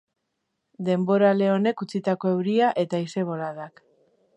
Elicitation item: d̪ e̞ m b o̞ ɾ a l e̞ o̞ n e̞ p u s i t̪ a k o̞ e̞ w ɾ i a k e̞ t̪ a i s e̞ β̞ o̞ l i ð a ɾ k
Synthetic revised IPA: d̪ e̞ m b o̞ ɾ a l e̞ o̞ n e̞ k u t͡s i t̪ a k o̞ e̞ w ɾ i a ʔ e̞ t̪ a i s e̞ β̞ o̞ l a ð a k